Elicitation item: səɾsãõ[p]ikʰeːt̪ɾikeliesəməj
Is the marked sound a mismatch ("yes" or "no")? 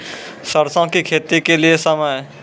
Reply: yes